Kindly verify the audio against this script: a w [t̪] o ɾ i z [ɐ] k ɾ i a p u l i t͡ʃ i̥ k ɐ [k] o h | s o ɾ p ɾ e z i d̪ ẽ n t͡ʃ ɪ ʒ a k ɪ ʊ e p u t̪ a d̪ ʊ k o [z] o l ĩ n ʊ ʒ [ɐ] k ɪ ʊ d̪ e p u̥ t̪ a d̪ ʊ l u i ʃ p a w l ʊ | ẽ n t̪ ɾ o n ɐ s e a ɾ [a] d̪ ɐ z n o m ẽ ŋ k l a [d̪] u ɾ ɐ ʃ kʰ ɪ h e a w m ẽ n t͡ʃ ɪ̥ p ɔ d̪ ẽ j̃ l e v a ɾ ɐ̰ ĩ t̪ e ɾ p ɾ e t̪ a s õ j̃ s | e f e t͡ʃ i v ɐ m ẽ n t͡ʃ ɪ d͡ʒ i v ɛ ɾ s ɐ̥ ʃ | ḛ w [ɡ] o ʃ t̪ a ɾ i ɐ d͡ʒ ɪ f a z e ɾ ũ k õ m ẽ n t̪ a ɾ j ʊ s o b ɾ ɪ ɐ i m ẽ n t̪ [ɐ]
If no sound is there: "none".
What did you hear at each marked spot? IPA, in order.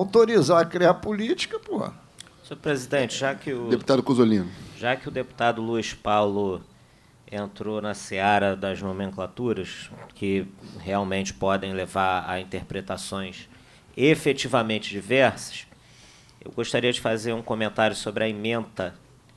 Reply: t̪, a, p, z, a, ɐ, t̪, ɡ, ɐ

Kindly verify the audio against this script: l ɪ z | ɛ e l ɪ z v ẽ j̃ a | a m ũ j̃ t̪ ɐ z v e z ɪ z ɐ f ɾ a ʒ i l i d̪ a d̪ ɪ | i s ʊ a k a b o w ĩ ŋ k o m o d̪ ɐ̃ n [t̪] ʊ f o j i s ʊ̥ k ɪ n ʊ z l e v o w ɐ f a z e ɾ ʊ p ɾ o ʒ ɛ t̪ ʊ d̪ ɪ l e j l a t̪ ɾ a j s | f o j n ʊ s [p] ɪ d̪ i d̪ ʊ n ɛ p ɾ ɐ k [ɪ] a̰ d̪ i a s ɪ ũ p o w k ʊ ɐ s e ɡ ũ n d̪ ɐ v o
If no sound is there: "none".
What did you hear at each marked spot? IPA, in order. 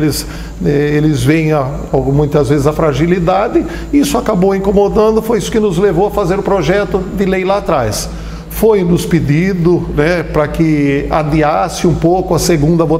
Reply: d̪, p, ɪ

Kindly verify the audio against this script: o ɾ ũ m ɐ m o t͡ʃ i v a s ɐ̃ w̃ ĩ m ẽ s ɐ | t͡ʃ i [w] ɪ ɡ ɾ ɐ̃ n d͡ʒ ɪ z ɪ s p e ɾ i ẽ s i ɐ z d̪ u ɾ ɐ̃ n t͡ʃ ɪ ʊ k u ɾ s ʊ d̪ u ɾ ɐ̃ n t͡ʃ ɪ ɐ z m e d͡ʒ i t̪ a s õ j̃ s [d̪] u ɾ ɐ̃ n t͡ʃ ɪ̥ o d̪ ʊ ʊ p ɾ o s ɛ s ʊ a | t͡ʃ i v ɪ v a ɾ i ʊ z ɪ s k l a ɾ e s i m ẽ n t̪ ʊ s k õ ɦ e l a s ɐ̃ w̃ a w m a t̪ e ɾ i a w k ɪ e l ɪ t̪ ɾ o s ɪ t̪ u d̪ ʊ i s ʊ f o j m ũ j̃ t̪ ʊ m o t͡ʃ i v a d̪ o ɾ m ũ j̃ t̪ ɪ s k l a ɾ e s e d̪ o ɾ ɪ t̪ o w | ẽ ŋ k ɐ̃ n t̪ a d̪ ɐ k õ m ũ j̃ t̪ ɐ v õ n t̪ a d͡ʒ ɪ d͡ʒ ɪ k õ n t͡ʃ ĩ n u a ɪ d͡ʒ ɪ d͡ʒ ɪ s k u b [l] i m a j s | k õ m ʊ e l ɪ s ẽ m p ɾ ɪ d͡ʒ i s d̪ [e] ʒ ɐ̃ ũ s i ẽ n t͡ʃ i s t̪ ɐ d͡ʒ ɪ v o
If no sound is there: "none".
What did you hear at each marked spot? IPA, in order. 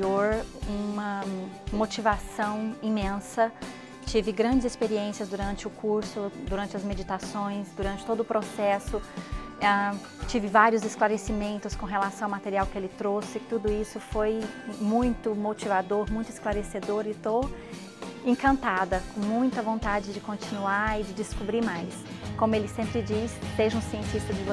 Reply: v, d̪, ɾ, e

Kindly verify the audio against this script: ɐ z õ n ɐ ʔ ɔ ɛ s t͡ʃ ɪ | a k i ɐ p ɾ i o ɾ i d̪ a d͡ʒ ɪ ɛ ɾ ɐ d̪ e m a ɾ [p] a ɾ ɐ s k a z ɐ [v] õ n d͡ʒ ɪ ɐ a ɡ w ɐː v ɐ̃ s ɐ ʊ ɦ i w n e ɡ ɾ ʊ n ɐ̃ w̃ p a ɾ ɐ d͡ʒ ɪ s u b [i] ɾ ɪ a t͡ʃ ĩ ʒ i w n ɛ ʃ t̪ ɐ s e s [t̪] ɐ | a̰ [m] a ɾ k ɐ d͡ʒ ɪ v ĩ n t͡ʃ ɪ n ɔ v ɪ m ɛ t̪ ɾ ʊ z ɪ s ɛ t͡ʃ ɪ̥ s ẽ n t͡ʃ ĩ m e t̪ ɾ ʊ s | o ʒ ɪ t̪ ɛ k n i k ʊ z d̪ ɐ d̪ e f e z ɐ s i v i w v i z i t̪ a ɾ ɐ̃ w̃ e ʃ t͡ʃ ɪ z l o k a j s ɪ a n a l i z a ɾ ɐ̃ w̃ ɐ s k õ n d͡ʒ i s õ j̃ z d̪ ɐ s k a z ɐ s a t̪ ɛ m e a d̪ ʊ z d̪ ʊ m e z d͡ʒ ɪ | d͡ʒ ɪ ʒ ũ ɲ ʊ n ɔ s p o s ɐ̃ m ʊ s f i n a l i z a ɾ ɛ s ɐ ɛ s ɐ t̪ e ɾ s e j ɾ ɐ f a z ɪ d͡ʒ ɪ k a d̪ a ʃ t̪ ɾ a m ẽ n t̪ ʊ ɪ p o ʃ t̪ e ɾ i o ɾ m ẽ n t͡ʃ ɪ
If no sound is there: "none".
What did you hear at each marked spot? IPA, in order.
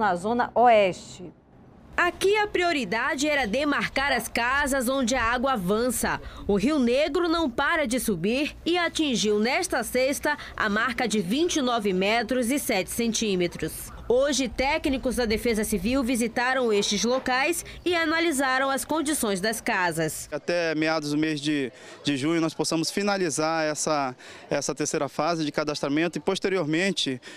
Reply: k, z, i, t̪, m

